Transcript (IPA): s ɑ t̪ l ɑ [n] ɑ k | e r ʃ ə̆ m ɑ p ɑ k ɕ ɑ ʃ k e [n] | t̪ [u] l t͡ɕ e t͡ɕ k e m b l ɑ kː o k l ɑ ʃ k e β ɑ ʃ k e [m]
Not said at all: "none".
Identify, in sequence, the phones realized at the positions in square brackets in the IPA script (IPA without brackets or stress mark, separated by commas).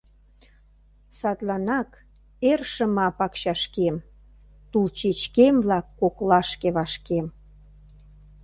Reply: n, m, u, m